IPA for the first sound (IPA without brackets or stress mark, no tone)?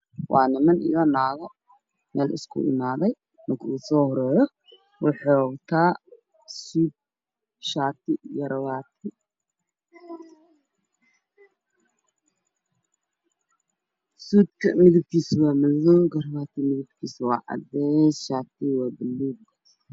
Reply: w